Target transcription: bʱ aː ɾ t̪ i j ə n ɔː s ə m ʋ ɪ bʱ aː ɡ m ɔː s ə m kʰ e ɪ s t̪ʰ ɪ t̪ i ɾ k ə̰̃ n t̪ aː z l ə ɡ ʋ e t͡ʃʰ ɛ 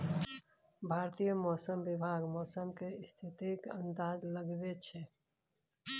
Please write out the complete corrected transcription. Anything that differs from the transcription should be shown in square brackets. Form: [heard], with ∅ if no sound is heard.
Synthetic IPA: bʱ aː ɾ t̪ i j ə [m] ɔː s ə m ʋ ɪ bʱ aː ɡ m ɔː s ə m [k] e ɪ s t̪ʰ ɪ t̪ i [∅] k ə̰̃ n [d̪] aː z l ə ɡ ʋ e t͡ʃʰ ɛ